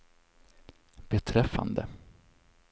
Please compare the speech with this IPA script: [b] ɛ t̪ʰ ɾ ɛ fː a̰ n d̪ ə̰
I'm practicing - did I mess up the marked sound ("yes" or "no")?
no